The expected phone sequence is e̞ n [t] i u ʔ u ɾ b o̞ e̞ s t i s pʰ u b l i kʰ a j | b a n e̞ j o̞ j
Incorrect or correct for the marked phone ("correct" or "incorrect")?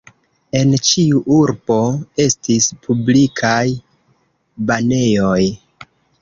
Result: incorrect